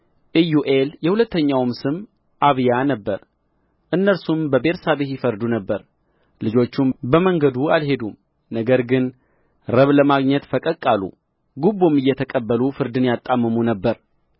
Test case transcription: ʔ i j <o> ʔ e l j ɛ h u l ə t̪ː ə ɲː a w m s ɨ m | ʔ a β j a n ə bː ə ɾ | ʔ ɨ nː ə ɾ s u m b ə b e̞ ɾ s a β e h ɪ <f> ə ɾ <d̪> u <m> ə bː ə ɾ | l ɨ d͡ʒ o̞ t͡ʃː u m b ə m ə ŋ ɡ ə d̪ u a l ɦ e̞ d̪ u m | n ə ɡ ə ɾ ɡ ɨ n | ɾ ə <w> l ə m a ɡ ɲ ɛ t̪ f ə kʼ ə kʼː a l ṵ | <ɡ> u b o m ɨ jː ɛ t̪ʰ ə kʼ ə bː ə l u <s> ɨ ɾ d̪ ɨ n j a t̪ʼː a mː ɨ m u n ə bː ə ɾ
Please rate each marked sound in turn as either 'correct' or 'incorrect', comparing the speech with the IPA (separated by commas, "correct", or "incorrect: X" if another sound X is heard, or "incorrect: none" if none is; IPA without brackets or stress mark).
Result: incorrect: u, correct, correct, incorrect: n, incorrect: β, correct, incorrect: f